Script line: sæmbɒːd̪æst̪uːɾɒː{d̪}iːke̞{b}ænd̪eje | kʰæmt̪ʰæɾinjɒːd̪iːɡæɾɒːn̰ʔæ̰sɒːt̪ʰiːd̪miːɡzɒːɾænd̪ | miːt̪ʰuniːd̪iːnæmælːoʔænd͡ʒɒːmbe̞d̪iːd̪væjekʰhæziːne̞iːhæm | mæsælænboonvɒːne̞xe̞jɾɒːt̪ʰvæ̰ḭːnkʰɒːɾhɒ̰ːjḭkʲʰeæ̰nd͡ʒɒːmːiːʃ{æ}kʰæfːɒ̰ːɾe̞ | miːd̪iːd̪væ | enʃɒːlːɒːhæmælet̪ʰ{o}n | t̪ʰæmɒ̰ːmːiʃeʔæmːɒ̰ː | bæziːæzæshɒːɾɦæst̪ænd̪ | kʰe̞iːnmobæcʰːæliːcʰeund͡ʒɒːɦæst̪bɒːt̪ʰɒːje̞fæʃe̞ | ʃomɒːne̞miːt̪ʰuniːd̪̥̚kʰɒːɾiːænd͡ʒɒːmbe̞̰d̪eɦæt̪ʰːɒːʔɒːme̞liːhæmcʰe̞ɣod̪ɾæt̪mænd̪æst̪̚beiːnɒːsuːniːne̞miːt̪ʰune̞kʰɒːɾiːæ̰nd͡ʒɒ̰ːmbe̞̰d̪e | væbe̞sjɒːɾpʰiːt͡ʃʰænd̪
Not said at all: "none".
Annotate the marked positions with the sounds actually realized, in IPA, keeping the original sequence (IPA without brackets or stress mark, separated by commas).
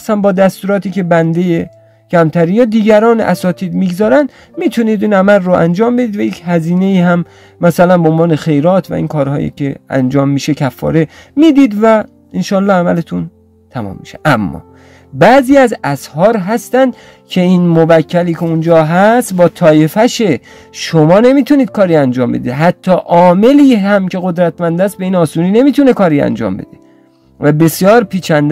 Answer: t̪, b, e, u